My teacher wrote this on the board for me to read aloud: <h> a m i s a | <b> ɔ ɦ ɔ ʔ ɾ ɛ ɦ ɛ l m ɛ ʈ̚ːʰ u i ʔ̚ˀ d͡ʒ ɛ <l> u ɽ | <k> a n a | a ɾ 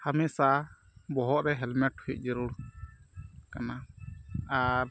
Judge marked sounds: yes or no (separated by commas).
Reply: yes, yes, no, yes